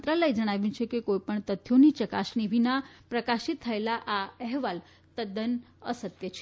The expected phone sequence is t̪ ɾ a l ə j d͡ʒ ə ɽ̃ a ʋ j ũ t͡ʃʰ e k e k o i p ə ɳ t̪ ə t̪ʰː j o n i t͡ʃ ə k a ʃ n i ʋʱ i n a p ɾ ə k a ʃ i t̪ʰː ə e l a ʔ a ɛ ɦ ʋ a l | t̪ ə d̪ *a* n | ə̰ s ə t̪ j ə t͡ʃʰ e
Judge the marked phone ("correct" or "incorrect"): incorrect